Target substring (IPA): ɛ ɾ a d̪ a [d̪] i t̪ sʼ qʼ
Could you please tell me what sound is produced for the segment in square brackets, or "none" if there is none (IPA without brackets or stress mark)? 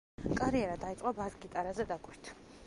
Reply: none